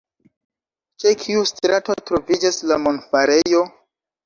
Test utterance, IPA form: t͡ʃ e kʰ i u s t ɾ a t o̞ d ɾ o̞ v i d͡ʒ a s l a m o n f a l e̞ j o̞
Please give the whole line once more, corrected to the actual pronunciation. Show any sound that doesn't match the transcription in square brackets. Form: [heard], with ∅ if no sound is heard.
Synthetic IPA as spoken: t͡ʃ e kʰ i u s t ɾ a t o̞ [t] ɾ o̞ v i d͡ʒ a s l a m o n f a [ɾ] e̞ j o̞